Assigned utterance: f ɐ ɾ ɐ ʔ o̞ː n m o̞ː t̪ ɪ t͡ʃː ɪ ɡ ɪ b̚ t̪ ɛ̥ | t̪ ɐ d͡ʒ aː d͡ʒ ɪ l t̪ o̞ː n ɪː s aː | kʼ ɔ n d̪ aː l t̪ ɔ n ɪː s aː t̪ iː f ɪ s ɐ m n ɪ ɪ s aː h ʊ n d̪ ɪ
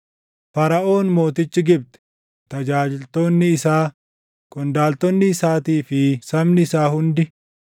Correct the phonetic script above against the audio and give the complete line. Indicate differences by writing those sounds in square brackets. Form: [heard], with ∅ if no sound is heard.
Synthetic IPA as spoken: f ɐ ɾ ɐ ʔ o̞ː n m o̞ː t̪ ɪ t͡ʃː ɪ ɡ ɪ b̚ t̪ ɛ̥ | t̪ ɐ d͡ʒ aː d͡ʒ ɪ l t̪ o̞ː [nː] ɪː s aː | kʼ ɔ n d̪ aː l t̪ ɔ [nː] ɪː s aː t̪ iː f ɪ s ɐ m n ɪ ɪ s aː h ʊ n d̪ ɪ